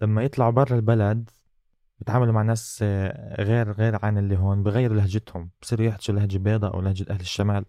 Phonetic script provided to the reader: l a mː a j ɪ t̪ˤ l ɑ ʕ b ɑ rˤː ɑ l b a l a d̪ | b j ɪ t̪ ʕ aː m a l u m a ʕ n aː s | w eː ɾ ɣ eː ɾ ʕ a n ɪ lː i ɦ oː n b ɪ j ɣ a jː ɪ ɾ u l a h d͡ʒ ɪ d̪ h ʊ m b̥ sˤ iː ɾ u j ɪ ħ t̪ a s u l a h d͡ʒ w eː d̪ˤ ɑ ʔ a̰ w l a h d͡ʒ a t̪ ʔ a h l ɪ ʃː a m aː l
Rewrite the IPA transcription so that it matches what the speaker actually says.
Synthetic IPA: l a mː a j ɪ t̪ˤ l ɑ ʕ b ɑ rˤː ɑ l b a l a d̪ | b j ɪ t̪ ʕ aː m a l u m a ʕ n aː s | ɣ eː ɾ ɣ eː ɾ ʕ a n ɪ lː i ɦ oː n b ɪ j ɣ a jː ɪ ɾ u l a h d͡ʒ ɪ t̪ h ʊ m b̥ sˤ iː ɾ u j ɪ ħ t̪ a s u l a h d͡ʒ b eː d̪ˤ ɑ ʔ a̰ w l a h d͡ʒ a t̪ ʔ a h l ɪ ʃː a m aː l